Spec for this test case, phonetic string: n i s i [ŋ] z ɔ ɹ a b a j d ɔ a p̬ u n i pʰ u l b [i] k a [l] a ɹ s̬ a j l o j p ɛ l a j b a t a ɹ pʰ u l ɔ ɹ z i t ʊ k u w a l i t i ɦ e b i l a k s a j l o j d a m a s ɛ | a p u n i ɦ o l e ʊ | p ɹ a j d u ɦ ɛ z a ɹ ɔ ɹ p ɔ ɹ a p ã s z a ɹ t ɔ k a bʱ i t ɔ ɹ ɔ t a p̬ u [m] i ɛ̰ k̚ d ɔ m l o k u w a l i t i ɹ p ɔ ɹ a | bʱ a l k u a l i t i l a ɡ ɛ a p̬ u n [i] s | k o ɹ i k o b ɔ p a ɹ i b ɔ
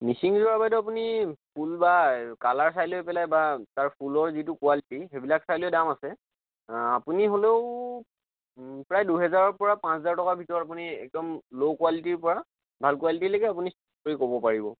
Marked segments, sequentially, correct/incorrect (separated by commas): correct, incorrect, correct, incorrect, correct